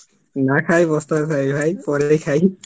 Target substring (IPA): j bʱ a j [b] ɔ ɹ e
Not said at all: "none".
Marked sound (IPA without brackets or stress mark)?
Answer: p